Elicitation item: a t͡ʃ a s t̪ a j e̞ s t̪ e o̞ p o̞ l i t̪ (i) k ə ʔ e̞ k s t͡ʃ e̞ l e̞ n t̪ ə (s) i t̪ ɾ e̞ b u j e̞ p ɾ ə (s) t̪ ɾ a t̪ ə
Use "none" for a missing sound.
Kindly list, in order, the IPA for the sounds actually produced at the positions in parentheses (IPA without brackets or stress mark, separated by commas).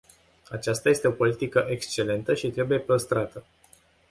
i, ʃ, s